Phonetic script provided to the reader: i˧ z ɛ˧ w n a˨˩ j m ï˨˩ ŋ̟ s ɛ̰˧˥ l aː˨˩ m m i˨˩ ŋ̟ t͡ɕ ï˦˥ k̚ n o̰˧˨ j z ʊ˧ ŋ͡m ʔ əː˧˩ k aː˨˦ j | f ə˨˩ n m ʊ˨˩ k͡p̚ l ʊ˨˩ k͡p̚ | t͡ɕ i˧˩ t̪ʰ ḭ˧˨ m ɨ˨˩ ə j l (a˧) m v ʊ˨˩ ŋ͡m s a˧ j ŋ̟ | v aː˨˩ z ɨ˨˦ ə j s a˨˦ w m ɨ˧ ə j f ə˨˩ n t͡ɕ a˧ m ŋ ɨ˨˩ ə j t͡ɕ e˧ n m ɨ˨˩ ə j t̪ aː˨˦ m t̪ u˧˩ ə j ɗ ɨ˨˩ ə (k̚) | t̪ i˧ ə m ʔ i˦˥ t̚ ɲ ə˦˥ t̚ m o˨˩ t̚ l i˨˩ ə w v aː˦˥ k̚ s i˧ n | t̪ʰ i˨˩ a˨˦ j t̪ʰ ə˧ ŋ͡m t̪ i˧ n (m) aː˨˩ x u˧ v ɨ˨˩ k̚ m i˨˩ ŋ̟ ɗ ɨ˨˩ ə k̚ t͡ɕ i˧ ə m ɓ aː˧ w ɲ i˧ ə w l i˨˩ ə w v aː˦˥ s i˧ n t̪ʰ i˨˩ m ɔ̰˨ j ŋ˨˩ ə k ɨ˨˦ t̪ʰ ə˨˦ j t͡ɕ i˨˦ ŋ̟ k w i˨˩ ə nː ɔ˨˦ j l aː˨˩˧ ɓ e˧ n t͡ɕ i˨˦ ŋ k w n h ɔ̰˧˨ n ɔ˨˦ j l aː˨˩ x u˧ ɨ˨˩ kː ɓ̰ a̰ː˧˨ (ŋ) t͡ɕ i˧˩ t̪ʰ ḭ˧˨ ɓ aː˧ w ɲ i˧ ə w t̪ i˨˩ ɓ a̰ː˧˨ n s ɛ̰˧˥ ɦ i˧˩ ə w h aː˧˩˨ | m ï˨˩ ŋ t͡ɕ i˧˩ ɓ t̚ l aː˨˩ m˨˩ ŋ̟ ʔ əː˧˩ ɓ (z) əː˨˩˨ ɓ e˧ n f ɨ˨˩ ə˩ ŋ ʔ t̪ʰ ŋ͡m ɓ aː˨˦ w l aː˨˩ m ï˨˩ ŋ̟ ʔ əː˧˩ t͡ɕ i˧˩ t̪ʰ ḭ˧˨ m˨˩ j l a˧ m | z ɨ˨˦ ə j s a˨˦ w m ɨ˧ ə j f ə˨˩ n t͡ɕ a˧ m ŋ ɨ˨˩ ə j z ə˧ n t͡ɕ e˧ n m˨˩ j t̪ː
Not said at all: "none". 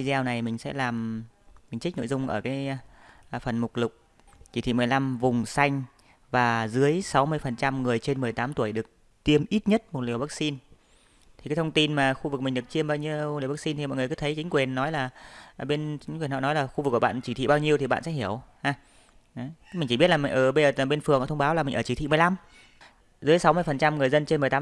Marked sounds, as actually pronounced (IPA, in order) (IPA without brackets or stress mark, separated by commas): a˧, k̚, m, n, z